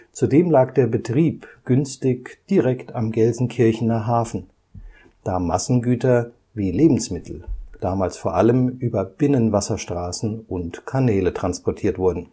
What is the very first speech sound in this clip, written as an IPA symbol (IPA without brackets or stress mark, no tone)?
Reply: t͡s